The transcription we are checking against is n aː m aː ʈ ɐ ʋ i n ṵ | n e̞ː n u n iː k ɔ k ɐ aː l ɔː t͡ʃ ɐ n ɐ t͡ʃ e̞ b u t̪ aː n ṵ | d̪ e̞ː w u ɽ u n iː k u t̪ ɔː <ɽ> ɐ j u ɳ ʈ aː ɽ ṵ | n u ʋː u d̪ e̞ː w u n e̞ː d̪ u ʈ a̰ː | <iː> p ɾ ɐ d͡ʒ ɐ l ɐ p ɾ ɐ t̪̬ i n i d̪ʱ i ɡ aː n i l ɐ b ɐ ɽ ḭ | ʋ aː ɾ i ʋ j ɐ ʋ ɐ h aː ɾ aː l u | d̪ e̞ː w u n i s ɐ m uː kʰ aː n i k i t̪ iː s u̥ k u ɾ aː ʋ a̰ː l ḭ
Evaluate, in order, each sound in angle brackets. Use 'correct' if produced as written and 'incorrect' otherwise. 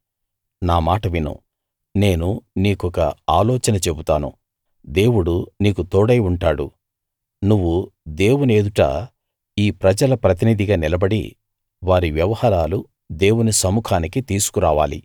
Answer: correct, correct

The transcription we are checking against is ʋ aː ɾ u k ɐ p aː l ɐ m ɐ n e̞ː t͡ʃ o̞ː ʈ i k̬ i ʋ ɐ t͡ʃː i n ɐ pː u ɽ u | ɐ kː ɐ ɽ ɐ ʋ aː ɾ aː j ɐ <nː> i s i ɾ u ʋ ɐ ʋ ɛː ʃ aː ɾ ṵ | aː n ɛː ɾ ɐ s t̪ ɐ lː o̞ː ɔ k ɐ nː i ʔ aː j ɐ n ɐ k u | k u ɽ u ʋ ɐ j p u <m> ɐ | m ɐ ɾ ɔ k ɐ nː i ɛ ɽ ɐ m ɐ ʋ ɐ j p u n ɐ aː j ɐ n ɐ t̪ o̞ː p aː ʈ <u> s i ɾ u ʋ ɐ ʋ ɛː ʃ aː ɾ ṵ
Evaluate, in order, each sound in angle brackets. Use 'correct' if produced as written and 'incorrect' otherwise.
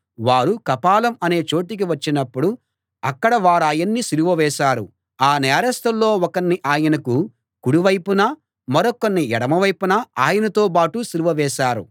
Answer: correct, incorrect: n, correct

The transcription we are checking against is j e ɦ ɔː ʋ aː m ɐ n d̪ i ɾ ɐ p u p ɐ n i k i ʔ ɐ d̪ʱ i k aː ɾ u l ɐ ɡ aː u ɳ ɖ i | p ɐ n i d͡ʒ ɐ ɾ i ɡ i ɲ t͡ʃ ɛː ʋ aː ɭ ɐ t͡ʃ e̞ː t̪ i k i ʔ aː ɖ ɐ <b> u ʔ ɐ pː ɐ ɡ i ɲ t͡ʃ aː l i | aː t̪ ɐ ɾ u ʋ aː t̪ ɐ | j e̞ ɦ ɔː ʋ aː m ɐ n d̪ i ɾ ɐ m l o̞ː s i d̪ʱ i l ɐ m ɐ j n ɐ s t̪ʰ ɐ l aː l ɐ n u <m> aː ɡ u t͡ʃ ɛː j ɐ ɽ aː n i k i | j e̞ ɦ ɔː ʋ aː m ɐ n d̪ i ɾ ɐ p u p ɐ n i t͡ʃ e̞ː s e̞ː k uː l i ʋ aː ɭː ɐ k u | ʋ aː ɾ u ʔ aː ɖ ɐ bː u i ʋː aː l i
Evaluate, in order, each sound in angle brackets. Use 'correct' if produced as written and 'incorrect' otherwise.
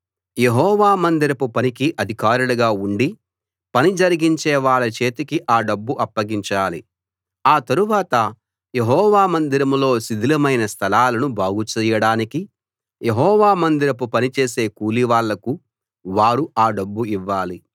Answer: incorrect: bː, incorrect: b

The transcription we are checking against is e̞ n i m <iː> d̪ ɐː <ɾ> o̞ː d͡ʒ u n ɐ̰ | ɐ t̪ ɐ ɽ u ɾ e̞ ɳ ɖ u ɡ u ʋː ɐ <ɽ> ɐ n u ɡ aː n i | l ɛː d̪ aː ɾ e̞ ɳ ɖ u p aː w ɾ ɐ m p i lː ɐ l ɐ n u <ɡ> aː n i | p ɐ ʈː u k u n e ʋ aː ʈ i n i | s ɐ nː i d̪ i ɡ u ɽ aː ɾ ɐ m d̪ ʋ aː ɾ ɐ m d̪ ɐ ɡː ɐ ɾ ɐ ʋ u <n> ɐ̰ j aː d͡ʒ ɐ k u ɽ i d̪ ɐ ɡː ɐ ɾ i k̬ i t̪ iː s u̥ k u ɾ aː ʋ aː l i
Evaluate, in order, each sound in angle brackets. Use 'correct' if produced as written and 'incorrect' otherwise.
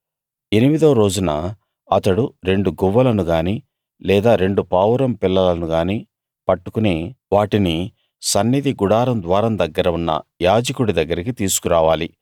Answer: incorrect: i, correct, incorrect: l, correct, incorrect: nː

